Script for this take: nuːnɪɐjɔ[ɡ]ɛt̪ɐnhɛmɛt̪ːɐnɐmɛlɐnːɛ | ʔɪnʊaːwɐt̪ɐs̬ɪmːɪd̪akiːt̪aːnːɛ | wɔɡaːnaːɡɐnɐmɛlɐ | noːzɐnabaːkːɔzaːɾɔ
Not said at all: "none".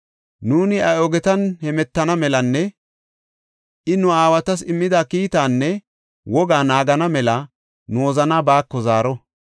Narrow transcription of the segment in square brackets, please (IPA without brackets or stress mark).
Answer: ɡ